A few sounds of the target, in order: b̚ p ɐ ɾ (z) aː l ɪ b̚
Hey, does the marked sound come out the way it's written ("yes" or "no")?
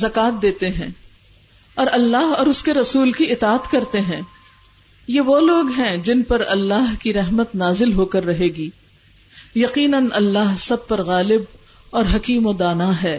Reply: no